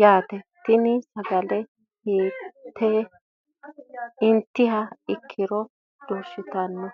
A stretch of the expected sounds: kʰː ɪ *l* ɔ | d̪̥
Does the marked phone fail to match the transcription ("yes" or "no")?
yes